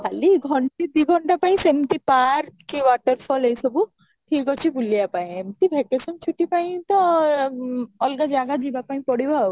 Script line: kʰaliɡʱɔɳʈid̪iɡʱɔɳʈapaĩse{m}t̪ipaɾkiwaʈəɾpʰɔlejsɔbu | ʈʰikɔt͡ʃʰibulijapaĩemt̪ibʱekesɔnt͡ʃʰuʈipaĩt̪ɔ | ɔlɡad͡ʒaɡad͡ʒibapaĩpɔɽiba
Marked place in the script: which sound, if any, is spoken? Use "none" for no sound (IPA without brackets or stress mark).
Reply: m